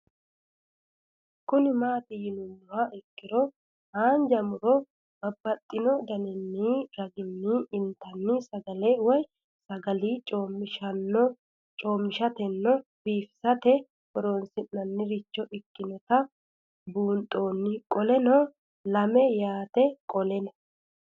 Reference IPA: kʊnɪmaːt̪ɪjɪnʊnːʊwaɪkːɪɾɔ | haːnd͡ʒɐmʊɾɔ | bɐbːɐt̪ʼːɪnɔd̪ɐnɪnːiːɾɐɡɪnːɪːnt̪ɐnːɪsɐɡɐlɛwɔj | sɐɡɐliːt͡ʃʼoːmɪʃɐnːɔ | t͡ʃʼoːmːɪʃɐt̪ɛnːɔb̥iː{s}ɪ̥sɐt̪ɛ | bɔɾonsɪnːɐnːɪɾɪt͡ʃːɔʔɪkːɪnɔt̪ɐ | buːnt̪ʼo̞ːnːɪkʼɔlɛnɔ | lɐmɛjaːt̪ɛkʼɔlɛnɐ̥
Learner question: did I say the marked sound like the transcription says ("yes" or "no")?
no